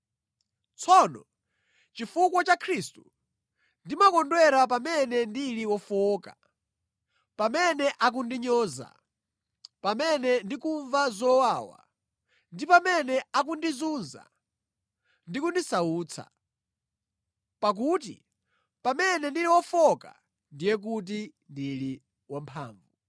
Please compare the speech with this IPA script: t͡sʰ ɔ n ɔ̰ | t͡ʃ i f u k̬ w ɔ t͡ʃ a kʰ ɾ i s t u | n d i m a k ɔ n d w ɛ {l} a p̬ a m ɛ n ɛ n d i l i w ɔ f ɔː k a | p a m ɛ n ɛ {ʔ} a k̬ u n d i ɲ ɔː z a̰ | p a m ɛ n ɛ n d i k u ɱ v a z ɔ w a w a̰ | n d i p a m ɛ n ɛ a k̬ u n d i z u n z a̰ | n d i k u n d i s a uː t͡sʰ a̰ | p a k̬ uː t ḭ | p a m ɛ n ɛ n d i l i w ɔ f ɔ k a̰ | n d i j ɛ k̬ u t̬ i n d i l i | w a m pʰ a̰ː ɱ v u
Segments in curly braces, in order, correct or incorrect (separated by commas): incorrect, correct